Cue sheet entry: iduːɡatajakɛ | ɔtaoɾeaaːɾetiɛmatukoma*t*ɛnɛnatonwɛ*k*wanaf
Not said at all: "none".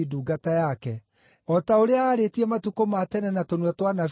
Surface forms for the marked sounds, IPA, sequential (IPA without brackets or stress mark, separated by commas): t, t